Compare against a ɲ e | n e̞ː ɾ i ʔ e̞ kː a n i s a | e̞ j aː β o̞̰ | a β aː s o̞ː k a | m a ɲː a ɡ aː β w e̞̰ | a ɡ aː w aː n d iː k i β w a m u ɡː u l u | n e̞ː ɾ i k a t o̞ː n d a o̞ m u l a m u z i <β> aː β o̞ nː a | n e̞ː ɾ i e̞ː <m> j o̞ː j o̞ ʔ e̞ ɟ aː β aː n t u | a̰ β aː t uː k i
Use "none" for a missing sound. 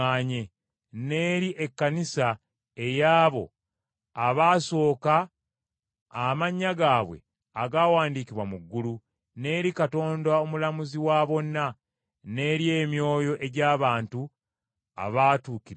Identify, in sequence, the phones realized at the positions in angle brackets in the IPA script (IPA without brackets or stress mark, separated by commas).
w, m